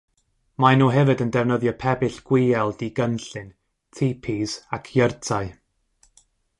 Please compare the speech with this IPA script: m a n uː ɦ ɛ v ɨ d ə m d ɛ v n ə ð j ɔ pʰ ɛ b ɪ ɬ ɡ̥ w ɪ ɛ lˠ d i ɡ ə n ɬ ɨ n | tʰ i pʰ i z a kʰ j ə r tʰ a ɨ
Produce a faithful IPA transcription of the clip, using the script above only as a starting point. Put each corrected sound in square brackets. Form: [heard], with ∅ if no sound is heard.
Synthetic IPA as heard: m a n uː ɦ ɛ v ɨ d ə [n] d ɛ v n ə ð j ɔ pʰ ɛ b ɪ ɬ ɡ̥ w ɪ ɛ lˠ d i ɡ ə n ɬ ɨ n | tʰ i pʰ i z a kʰ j ə r tʰ a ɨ